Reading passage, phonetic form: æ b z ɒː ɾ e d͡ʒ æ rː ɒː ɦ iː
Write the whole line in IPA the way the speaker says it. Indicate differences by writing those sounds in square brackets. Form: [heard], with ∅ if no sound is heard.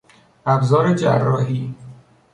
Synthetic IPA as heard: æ b z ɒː ɾ e d͡ʒ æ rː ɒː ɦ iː